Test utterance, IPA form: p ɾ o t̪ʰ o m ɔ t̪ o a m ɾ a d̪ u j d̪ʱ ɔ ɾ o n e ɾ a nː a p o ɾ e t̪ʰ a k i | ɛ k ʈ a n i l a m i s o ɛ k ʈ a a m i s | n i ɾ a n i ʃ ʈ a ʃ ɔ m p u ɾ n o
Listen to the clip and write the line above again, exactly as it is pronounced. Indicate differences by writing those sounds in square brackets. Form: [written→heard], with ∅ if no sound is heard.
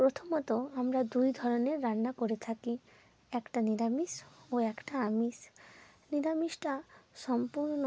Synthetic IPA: p ɾ o t̪ʰ o m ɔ t̪ o a m ɾ a d̪ u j d̪ʱ ɔ ɾ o n e [ɾ→ɾː] a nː a [p→k] o ɾ e t̪ʰ a k i | ɛ k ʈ a n i [l→ɾ] a m i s o ɛ k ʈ a a m i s | n i ɾ a [n→m] i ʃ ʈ a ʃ ɔ m p u ɾ n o